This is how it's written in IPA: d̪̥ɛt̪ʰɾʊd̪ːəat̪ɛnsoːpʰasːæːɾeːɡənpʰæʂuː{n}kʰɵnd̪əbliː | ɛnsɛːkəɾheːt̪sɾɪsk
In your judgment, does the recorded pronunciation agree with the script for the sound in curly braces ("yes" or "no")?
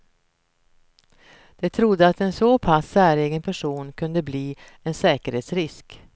yes